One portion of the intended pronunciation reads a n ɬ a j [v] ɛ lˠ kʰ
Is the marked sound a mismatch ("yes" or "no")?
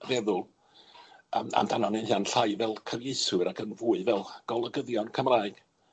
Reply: no